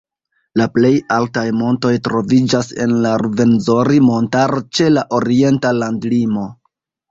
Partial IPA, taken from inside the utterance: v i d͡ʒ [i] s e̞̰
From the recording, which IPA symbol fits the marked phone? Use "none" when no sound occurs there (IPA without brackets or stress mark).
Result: a